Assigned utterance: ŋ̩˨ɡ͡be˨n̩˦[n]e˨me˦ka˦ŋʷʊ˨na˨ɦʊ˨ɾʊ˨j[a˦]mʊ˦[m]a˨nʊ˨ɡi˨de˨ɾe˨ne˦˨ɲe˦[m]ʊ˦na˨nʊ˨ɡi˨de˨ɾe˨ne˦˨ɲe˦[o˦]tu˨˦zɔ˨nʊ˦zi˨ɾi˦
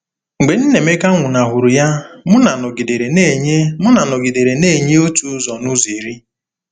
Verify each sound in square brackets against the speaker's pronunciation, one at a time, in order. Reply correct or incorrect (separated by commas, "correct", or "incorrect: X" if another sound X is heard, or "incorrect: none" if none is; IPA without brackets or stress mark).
correct, correct, incorrect: n, correct, correct